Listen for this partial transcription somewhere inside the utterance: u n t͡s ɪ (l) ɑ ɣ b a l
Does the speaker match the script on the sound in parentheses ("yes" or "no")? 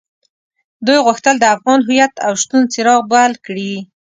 no